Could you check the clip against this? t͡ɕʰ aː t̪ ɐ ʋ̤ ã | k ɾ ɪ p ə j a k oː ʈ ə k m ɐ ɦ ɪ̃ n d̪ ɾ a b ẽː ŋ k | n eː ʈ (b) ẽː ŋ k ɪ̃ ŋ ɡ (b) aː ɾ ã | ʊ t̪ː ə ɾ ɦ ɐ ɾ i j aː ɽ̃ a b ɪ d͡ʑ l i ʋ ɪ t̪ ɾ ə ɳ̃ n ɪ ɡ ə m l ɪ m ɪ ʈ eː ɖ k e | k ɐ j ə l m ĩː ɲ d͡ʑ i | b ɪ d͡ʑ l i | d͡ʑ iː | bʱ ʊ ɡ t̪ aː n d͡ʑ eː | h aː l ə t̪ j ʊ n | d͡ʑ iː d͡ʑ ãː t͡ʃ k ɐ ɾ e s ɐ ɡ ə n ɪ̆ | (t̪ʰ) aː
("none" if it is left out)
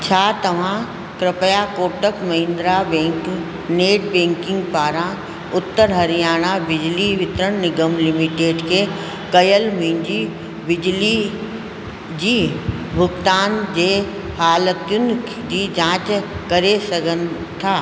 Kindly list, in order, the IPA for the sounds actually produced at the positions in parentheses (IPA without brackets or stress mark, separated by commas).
b, p, t̪ʰ